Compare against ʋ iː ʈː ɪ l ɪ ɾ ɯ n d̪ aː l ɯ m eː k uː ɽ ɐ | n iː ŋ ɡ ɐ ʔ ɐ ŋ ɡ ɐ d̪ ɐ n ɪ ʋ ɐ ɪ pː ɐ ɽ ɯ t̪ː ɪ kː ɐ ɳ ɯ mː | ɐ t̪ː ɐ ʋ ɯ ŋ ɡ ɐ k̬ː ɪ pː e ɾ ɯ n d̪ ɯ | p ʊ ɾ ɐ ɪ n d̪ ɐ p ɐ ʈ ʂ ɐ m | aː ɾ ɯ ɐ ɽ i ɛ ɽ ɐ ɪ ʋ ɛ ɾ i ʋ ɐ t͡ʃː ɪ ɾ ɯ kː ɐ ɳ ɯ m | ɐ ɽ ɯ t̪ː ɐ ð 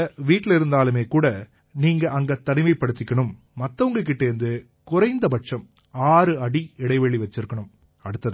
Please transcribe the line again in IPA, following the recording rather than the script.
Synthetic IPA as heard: ʋ iː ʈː ɪ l ɪ ɾ ɯ n d̪ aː l ɯ m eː k uː ɽ ɐ | n iː ŋ ɡ ɐ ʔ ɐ ŋ ɡ ɐ t̪ ɐ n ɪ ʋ ɐ ɪ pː ɐ ɽ ɯ t̪ː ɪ kː ɐ ɳ ɯ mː | ɐ t̪ː ɐ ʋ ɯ ŋ ɡ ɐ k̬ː ɪ ʈː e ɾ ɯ n d̪ ɯ | k ʊ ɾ ɐ ɪ n d̪ ɐ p ɐ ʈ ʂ ɐ m | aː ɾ ɯ ɐ ɽ i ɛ ɽ ɐ ɪ ʋ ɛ ɭ i ʋ ɐ t͡ʃː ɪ ɾ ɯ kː ɐ ɳ ɯ m | ɐ ɽ ɯ t̪ː ɐ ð